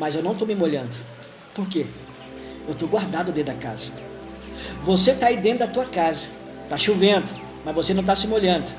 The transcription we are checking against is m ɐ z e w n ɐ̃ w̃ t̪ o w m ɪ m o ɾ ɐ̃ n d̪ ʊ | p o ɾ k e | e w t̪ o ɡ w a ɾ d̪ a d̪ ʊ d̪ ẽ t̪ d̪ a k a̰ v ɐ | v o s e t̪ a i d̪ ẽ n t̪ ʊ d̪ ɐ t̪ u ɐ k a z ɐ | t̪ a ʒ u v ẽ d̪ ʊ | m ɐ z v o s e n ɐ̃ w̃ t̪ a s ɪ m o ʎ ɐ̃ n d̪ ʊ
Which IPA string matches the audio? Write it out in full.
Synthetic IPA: m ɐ z e w n ɐ̃ w̃ t̪ o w m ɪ m o ʎ ɐ̃ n d̪ ʊ | p o ɾ k e | e w t̪ o ɡ w a ɾ d̪ a d̪ ʊ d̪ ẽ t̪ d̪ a k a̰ z ɐ | v o s e t̪ a i d̪ ẽ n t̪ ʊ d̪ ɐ t̪ u ɐ k a z ɐ | t̪ a ʃ u v ẽ d̪ ʊ | m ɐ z v o s e n ɐ̃ w̃ t̪ a s ɪ m o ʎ ɐ̃ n d̪ ʊ